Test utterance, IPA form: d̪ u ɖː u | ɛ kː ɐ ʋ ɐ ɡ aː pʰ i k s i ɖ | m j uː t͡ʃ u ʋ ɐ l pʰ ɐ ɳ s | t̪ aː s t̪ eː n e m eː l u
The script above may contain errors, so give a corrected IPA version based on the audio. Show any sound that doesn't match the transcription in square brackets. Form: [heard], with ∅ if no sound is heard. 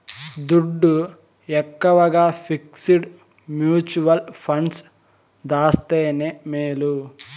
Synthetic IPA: d̪ u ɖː u | ɛ kː ɐ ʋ ɐ ɡ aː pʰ i k s i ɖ | m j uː t͡ʃ u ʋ ɐ l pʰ ɐ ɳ s | [d̪] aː s t̪ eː n e m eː l u